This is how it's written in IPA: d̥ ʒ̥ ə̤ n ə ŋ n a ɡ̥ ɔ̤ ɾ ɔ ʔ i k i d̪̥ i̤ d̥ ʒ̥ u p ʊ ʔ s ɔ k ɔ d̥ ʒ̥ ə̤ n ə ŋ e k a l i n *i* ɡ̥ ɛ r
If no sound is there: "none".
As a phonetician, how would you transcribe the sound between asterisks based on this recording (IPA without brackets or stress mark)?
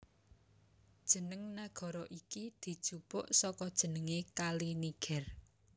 i